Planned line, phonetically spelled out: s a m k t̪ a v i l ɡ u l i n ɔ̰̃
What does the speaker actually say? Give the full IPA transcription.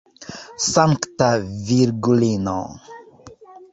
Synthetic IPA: s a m k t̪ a v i ɾ ɡ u l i n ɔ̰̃